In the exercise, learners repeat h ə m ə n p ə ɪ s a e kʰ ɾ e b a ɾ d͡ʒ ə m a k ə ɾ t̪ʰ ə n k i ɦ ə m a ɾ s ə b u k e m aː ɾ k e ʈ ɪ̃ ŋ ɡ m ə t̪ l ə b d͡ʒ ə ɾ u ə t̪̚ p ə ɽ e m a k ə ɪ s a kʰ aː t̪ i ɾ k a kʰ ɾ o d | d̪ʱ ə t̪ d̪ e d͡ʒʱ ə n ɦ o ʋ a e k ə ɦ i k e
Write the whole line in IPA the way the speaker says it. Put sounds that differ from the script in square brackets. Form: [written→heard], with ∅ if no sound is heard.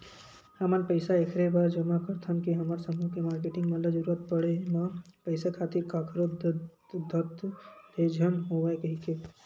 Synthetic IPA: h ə m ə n p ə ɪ s a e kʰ ɾ e b a ɾ d͡ʒ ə m a k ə ɾ t̪ʰ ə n k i ɦ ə m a ɾ s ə [b→m] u k e m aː ɾ k e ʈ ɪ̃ ŋ ɡ m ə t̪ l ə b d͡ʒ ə ɾ u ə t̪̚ p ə ɽ e m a [k→p] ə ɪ s a kʰ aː t̪ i ɾ k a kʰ ɾ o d | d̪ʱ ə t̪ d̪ e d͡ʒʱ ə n ɦ o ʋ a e k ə ɦ i k e